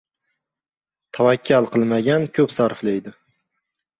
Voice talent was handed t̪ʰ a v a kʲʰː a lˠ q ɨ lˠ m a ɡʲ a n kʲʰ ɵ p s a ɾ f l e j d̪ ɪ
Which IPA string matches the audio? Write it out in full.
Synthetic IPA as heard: t̪ʰ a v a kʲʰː a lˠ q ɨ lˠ m a ɡʲ a n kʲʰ ɵ p s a ɾ f l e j d̪ ɪ